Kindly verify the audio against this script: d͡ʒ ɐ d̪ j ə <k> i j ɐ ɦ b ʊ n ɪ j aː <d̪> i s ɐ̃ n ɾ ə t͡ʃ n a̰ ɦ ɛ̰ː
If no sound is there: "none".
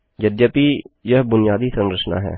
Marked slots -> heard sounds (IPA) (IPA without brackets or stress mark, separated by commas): p, d̪